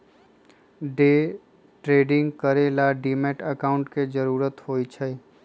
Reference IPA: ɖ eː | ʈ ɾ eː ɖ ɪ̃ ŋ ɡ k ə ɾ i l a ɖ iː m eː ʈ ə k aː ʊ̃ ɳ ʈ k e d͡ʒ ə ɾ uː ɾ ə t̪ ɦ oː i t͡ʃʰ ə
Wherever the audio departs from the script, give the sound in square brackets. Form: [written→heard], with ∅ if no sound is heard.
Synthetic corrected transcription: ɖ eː | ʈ ɾ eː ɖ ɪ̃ ŋ ɡ k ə ɾ [i→e] l a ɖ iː m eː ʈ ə k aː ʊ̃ ɳ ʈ k e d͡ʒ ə ɾ uː ɾ ə t̪ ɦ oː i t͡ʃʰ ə